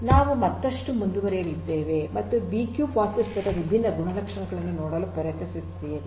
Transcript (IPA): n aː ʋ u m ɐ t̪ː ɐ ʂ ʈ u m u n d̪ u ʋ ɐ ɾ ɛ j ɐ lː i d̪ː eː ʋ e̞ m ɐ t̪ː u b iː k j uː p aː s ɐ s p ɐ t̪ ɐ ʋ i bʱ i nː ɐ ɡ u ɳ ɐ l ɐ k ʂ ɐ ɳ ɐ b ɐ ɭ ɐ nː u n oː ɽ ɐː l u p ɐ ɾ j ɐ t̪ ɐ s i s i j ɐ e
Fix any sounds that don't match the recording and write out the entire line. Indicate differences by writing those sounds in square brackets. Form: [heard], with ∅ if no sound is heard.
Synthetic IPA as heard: n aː ʋ u m ɐ t̪ː ɐ ʂ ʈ u m u n d̪ u ʋ ɐ ɾ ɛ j ɐ [l] i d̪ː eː ʋ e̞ m ɐ t̪ː u b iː k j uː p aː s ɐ s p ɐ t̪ ɐ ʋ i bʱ i nː ɐ ɡ u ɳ ɐ l ɐ k ʂ ɐ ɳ ɐ [ɡ] ɐ ɭ ɐ nː u n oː ɽ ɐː l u p ɐ ɾ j ɐ t̪ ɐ s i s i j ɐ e